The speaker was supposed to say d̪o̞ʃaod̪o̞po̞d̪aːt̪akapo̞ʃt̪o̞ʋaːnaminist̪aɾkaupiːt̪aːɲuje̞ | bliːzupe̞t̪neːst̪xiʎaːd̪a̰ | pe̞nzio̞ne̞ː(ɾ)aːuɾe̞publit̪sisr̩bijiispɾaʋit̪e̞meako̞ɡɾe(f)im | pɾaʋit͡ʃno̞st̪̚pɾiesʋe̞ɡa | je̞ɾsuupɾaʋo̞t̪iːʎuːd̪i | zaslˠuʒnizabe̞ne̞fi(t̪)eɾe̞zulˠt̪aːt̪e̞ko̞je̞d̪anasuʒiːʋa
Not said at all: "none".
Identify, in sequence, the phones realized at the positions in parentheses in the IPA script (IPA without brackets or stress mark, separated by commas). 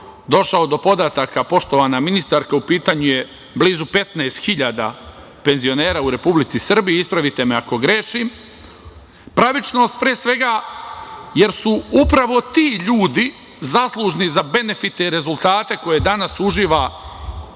ɾ, ʃ, t̪